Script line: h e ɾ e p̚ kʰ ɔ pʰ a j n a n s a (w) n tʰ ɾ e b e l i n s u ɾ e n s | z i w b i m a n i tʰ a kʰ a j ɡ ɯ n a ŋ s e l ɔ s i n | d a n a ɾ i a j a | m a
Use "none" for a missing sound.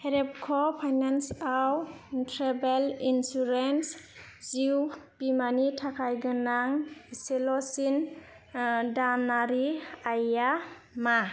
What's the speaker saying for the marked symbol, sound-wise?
w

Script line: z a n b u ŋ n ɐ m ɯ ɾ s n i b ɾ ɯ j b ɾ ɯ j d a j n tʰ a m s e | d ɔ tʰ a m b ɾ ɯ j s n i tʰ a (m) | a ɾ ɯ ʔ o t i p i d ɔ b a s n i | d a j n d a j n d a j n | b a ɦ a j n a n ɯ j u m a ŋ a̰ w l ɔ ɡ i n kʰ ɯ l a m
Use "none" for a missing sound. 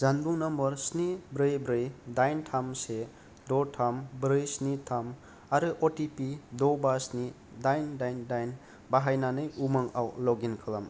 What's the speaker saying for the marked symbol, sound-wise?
m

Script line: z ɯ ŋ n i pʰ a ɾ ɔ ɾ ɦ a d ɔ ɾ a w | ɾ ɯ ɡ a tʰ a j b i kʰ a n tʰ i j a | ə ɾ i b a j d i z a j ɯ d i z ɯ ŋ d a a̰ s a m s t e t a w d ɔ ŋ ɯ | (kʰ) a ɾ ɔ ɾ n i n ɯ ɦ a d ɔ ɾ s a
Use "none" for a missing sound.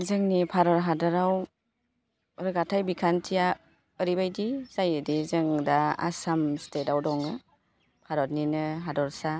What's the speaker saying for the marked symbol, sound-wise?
pʰ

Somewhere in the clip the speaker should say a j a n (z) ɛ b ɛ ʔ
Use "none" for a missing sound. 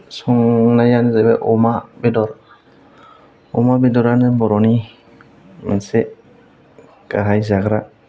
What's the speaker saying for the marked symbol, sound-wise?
z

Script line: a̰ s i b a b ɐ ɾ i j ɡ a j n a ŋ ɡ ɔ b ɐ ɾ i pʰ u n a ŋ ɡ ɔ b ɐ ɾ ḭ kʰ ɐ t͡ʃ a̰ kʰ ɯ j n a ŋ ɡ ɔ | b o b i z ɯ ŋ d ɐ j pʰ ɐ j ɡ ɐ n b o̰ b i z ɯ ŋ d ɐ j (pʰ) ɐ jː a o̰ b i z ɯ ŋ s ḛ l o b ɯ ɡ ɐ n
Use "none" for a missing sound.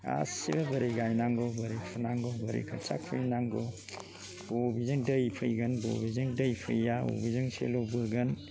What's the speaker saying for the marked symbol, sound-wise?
pʰ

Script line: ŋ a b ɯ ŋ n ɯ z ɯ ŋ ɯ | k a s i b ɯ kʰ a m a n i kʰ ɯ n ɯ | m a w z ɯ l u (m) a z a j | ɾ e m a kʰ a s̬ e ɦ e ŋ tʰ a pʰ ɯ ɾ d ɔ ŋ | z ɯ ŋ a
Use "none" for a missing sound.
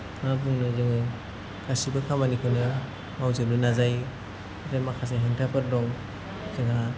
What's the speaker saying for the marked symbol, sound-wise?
n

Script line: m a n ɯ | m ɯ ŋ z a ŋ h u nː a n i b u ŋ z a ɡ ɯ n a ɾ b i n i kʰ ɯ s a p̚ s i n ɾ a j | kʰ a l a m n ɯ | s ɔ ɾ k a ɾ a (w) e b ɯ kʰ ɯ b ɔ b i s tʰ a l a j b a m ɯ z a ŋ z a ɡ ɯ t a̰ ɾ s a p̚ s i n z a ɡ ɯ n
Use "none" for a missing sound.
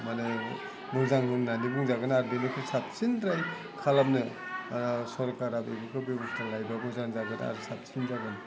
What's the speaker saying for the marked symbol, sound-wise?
b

